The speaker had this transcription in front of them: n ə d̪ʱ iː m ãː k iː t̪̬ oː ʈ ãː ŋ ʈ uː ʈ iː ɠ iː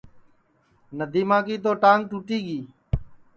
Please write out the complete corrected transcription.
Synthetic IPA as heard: n ə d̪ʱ iː m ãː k iː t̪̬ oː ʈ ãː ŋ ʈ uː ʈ iː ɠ iː